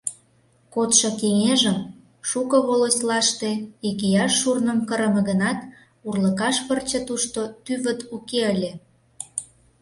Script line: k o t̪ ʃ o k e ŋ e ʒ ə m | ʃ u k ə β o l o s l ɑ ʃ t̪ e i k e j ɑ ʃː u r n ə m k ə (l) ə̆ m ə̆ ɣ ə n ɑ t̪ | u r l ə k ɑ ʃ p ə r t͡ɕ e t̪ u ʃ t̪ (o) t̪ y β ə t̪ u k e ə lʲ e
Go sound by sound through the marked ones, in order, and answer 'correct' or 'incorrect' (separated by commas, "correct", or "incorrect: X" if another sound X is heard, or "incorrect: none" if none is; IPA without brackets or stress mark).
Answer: incorrect: ɾ, correct